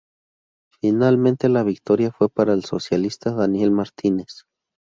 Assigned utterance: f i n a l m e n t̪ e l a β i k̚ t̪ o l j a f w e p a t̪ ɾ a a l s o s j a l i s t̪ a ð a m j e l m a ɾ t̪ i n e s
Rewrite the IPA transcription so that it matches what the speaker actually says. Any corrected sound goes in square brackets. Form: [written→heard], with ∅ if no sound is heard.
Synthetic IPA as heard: f i n a l m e n t̪ e l a β i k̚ t̪ o [l→ɾ] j a f w e p a [t̪→∅] ɾ a [a→e] l s o s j a l i s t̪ a ð a [m→n] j e l m a ɾ t̪ i n e s

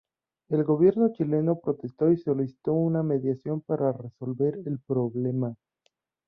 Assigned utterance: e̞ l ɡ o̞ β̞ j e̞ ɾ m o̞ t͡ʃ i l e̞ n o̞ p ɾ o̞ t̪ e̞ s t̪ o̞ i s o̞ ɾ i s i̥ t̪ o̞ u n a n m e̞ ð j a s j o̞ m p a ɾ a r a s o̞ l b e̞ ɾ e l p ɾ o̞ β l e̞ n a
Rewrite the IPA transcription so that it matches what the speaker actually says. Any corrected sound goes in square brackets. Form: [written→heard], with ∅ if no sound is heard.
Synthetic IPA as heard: e̞ l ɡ o̞ β̞ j e̞ ɾ [m→n] o̞ t͡ʃ i l e̞ n o̞ p ɾ o̞ t̪ e̞ s t̪ o̞ i s o̞ [ɾ→l] i s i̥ t̪ o̞ u n a [n→∅] m e̞ ð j a s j o̞ m p a ɾ a r [a→e] s o̞ l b e̞ ɾ e l p ɾ o̞ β l e̞ [n→m] a

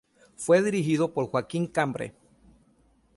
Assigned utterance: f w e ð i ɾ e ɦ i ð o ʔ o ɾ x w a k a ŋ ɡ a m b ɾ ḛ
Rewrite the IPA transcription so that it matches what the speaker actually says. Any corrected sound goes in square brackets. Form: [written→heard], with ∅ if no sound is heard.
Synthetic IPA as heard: f w e ð i ɾ [e→i] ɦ i ð o [ʔ→p] o ɾ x w a k [a→i] ŋ [ɡ→k] a m b ɾ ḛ

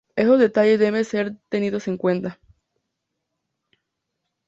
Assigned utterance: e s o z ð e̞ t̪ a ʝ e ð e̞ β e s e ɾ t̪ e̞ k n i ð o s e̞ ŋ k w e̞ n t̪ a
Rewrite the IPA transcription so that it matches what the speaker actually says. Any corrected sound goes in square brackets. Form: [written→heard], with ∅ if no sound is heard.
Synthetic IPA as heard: e s o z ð e̞ t̪ a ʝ e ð e̞ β e s e ɾ t̪ e̞ [k→∅] n i ð o s e̞ ŋ k w e̞ n t̪ a

